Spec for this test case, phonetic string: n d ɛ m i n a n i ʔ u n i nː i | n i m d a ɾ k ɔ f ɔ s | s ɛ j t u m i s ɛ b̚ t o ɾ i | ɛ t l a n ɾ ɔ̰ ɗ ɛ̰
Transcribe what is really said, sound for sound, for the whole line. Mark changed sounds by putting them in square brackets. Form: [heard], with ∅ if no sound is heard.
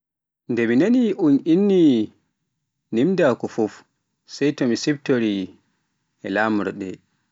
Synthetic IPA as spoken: n d ɛ m i n a n i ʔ u n i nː i | n i m d a [∅] k ɔ f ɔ [f] | s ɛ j t [ɔ] m i s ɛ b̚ t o ɾ i | ɛ [∅] l a [m] ɾ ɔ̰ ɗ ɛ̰

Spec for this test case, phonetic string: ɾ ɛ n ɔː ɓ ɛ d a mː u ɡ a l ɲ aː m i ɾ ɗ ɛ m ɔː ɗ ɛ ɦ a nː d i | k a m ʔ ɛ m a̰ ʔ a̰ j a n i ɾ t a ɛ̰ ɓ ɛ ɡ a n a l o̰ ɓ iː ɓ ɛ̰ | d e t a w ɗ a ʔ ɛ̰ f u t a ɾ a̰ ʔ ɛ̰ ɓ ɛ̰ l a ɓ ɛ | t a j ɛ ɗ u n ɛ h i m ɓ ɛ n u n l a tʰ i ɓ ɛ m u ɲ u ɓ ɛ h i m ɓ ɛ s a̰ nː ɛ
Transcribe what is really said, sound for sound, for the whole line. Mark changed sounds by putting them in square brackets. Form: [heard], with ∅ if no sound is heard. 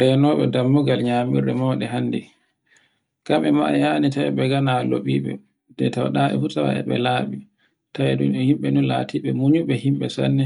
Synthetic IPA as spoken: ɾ ɛ n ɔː ɓ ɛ d a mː u ɡ a l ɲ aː m i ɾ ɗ ɛ m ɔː ɗ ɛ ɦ a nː d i | k a m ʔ ɛ m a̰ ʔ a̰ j a n i [∅] t a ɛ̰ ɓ ɛ ɡ a n a l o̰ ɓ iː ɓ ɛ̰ | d [ɛ] t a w ɗ a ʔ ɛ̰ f u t a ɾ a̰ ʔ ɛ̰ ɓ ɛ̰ l a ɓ [i] | t a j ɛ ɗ u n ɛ h i m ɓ ɛ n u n l a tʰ i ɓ ɛ m u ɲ u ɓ ɛ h i m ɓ ɛ s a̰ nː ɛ

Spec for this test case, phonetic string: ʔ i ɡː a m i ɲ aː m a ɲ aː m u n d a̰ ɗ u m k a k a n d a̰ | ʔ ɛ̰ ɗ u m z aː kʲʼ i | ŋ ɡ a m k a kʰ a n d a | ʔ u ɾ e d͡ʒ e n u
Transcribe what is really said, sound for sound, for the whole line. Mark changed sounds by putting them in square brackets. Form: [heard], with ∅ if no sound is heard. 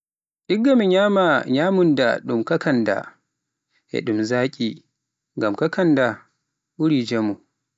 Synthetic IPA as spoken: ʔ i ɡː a m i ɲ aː m a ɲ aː m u n d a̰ ɗ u m k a k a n d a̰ | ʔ ɛ̰ ɗ u m z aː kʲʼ i | ŋ ɡ a m k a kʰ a n d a | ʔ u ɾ [i] d͡ʒ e [m] u

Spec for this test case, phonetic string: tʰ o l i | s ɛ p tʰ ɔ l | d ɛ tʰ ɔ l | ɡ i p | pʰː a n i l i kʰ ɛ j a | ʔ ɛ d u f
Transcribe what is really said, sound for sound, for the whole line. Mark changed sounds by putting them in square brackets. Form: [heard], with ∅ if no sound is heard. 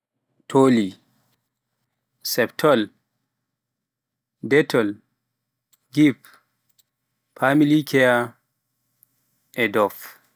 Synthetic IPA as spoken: tʰ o l i | s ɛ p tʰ ɔ l | d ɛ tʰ ɔ l | ɡ i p | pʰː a [m] i l i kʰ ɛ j a | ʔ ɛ d [ɔ] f

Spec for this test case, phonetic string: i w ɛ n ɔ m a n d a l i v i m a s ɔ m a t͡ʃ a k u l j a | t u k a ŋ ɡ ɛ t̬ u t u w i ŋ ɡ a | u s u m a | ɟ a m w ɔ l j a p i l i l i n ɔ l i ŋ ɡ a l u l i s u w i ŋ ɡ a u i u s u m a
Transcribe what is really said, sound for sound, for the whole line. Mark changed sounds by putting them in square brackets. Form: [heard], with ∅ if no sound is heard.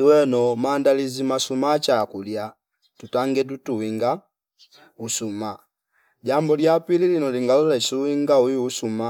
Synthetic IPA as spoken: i w ɛ n ɔ m a n d a l i [z] i m a s [u] m a t͡ʃ a k u l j a | t u [t] a ŋ ɡ ɛ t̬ u t u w i ŋ ɡ a | u s u m a | ɟ a m [b] ɔ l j a p i l i l i n ɔ l i ŋ ɡ a l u l [ɛ] s u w i ŋ ɡ a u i u s u m a

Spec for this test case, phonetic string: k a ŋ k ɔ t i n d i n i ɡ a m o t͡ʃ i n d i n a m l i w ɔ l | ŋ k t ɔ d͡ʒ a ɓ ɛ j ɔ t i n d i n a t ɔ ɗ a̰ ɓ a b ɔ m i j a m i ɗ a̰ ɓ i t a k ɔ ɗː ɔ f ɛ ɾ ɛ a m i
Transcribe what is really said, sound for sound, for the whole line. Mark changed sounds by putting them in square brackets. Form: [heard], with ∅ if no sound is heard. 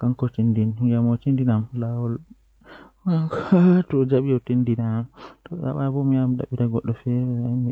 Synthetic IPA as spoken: k a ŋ k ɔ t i n d i n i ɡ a m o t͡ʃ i n d i n a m l [a] w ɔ l | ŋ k t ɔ d͡ʒ a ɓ [i] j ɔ t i n d i n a t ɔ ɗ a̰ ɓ a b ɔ m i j a m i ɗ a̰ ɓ i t a [ɡ] ɔ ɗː ɔ f ɛ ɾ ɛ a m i

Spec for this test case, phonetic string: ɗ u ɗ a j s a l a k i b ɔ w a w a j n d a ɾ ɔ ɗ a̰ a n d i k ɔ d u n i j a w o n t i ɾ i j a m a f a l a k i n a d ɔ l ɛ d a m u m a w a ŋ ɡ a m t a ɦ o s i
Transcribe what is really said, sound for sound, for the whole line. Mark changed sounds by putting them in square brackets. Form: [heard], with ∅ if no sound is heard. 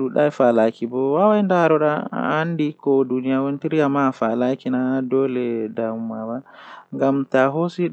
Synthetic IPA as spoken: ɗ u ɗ a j [f] a l a k i b ɔ w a w a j n d a ɾ ɔ ɗ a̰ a n d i k ɔ d u n i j a w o n t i ɾ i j a m a f a l a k i n a d ɔ l ɛ d a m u m a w a ŋ ɡ a m t a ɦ o s i

